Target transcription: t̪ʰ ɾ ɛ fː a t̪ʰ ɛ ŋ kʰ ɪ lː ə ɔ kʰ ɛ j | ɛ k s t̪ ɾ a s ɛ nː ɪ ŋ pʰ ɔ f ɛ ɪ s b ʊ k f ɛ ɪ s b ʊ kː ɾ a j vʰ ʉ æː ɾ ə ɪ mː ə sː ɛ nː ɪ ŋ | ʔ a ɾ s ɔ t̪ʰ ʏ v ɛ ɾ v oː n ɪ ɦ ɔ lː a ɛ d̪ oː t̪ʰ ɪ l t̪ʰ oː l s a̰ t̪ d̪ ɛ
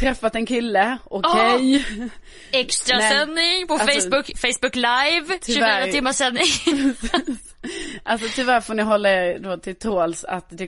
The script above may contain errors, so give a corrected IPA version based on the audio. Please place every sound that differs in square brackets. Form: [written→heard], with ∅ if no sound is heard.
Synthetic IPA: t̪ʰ ɾ ɛ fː a [t̪ʰ→t̪] ɛ [ŋ→n] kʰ ɪ lː ə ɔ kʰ ɛ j | ɛ k s t̪ ɾ a s ɛ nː ɪ ŋ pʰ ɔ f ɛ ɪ s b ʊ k f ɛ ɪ s b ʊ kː [ɾ→l] a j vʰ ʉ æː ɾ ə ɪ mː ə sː ɛ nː ɪ ŋ | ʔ a [ɾ→l] s ɔ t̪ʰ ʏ v [ɛ→æ] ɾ [v→f] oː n ɪ ɦ ɔ lː a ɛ d̪ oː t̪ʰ ɪ l t̪ʰ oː l s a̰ t̪ d̪ ɛ